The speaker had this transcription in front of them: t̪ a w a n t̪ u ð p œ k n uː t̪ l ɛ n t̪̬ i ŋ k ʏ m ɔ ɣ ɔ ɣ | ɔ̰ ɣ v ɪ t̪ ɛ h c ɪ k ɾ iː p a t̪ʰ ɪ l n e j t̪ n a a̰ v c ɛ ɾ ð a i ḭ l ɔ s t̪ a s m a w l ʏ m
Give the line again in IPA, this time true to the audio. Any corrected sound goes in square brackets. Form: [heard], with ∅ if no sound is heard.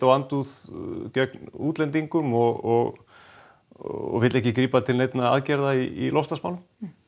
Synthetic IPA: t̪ a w a n t̪ u ð [c] œ k n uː t̪ l ɛ n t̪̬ i ŋ k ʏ m ɔ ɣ ɔ ɣ | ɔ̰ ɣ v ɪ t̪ ɛ h c ɪ k ɾ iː p a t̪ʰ ɪ l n e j t̪ n a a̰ [ð] c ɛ ɾ ð a i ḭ l ɔ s t̪ a s m a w l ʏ m